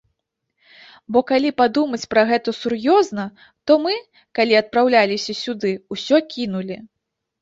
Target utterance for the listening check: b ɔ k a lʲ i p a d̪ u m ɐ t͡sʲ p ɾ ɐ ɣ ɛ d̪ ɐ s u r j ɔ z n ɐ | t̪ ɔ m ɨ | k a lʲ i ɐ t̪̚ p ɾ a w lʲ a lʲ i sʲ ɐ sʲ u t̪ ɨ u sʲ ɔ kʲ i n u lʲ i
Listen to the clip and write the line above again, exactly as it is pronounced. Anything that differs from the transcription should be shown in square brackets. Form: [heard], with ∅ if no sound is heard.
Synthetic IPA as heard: b ɔ k a lʲ i p a d̪ u m ɐ t͡sʲ p ɾ ɐ ɣ ɛ [t̪] ɐ s u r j ɔ z n ɐ | t̪ ɔ m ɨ | k a lʲ i ɐ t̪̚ p ɾ a w lʲ a lʲ i sʲ ɐ sʲ u [d̪] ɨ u sʲ ɔ kʲ i n u lʲ i